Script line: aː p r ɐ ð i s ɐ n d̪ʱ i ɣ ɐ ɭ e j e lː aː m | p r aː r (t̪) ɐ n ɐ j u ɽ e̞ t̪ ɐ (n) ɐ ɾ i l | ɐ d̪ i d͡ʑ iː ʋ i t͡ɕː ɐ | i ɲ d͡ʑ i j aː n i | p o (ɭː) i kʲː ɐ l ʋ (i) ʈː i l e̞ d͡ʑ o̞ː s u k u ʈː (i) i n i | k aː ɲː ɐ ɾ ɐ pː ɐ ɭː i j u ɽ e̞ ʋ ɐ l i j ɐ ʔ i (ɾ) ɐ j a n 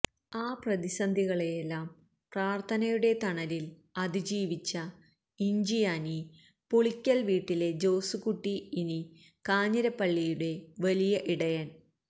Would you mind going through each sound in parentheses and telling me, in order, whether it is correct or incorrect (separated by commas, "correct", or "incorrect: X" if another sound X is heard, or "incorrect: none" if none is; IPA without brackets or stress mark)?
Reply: incorrect: t̪ʰ, incorrect: ɳ, incorrect: ɭ, incorrect: iː, correct, incorrect: ɽ